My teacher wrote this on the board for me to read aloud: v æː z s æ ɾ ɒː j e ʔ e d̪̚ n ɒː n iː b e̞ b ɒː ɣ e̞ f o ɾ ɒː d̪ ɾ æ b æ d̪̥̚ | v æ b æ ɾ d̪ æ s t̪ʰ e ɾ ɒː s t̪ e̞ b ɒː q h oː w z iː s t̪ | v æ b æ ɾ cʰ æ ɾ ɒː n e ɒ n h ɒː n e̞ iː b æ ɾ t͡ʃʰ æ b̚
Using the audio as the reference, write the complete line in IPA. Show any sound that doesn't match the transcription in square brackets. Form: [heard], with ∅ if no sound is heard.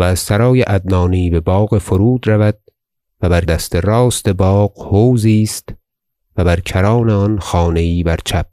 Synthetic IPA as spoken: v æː z s æ ɾ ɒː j e ʔ [æ] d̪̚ n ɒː n iː b e̞ b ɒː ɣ e̞ f o ɾ [uː] d̪ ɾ æ [v] æ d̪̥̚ | v æ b æ ɾ d̪ æ s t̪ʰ e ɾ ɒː s t̪ e̞ b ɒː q h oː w z iː s t̪ | v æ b æ ɾ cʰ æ ɾ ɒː n e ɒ n [x] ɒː n e̞ iː b æ ɾ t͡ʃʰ æ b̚